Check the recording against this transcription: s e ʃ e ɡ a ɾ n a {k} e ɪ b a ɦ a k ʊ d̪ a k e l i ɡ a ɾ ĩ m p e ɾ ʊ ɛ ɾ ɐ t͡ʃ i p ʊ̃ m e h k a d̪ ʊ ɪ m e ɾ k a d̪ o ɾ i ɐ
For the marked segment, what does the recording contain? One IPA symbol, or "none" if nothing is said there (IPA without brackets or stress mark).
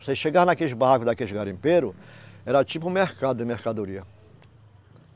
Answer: k